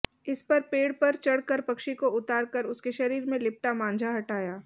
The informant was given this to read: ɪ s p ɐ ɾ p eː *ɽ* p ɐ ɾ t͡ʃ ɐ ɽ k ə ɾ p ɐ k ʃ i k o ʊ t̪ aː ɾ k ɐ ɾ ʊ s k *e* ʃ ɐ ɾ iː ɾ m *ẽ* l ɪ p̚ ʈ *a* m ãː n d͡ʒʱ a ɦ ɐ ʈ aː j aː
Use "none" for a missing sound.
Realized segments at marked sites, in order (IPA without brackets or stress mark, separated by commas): ɽ, e, ẽ, a